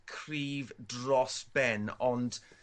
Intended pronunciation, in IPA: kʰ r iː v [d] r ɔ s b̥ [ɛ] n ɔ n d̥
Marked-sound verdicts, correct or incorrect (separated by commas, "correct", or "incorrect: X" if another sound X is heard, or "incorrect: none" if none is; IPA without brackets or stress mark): correct, correct